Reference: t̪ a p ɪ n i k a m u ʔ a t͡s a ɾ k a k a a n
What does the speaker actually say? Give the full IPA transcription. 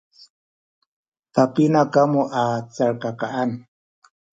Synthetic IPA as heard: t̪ a p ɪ n a k a m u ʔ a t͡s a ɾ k a k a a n